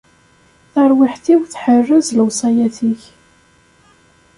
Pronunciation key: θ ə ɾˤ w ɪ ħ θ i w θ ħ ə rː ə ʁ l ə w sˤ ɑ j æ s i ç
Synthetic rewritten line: θ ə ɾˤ w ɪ ħ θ i w θ ħ ə rː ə z l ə w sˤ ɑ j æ θ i ç